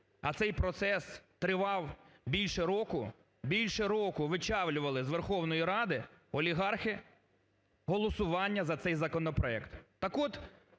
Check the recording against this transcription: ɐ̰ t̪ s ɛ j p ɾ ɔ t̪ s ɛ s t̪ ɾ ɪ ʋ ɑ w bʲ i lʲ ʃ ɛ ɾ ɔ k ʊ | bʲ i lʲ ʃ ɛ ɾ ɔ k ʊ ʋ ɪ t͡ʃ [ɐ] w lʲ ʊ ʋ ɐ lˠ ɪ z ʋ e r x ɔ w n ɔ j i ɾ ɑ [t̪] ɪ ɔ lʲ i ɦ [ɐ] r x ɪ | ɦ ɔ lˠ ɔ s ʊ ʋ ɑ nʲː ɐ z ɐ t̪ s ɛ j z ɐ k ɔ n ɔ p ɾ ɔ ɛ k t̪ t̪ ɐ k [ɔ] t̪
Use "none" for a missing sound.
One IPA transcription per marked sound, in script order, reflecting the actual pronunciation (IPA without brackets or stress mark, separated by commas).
ɑ, d̪, ɑ, ɔ